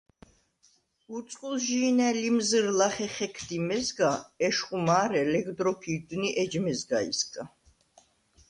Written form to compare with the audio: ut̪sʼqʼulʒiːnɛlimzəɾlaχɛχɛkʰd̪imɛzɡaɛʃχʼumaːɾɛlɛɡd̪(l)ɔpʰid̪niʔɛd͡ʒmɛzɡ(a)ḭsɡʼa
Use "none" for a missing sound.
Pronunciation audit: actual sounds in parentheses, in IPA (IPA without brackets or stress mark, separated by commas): ɾ, a